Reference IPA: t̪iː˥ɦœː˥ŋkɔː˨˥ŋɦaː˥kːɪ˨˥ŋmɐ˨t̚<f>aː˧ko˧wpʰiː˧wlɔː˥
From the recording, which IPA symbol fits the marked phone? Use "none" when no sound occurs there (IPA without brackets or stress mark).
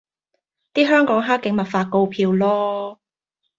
f